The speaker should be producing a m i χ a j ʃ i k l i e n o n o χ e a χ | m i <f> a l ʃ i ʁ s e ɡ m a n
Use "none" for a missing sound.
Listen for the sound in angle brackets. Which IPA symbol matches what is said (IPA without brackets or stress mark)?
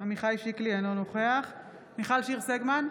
χ